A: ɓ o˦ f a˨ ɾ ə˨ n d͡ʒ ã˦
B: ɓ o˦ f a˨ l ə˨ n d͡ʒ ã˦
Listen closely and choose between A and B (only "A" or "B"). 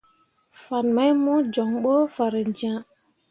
A